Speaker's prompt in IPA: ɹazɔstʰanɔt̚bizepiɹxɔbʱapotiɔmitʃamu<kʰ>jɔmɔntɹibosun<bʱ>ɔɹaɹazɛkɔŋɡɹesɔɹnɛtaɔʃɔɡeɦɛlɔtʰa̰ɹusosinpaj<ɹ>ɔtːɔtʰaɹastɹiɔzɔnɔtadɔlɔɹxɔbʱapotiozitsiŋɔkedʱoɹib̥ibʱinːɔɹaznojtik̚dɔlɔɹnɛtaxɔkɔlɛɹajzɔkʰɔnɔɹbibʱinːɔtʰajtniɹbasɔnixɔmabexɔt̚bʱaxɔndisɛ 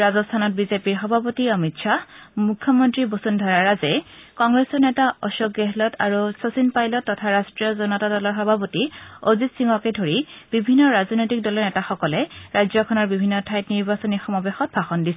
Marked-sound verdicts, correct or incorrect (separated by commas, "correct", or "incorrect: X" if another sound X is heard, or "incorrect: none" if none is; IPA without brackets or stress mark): correct, incorrect: dʱ, incorrect: l